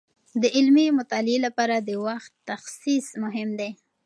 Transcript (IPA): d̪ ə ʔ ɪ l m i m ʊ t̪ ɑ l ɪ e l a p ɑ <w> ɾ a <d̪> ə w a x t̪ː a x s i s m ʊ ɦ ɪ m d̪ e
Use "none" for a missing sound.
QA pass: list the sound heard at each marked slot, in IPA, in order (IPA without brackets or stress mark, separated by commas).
none, d̪